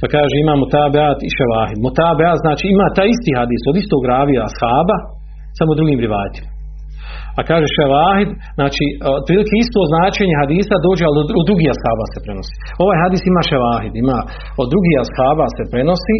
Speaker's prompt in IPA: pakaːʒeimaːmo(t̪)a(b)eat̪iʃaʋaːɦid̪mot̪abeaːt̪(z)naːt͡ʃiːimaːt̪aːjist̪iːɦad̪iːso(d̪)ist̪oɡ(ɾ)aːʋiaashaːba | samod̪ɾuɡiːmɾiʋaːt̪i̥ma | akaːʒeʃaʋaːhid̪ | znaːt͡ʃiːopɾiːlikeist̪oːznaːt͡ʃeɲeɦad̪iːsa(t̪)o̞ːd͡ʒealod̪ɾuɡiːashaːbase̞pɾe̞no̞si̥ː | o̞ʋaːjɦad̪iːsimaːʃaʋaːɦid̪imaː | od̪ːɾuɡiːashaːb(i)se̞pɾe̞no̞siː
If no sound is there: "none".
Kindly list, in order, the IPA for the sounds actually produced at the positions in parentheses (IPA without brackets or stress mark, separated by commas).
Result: t̪, b, z, d̪, ɾ, d̪, a